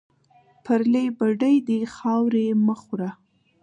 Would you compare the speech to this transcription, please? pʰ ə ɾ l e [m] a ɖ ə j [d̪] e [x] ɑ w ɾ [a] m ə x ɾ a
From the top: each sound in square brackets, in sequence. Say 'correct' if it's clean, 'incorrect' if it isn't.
incorrect, correct, correct, incorrect

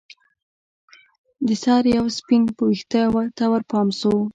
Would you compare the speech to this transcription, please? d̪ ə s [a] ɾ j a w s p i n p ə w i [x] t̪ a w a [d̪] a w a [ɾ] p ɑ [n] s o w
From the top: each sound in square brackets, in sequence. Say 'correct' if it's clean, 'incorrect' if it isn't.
incorrect, correct, incorrect, correct, incorrect

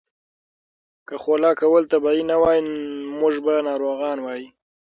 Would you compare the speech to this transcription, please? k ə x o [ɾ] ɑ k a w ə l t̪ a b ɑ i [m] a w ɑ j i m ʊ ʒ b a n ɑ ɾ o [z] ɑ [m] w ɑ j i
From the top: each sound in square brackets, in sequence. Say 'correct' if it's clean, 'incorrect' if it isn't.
incorrect, incorrect, incorrect, incorrect

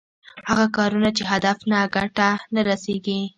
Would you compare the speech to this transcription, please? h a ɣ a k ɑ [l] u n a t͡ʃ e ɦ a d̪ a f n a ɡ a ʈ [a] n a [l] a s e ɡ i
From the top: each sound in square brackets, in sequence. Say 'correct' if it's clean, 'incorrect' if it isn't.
incorrect, correct, incorrect

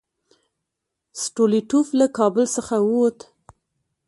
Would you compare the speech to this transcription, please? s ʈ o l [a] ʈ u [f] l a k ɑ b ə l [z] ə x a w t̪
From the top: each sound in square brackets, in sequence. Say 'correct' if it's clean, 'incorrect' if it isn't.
incorrect, correct, incorrect

